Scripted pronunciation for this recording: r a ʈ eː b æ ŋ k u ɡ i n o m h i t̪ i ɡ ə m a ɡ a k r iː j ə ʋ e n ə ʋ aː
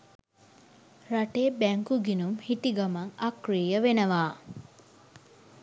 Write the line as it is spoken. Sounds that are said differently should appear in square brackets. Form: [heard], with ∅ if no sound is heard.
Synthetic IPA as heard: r a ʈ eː b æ ŋ k u ɡ i n [u] m h i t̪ i ɡ [a] m a [ŋ] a k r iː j ə ʋ e n ə ʋ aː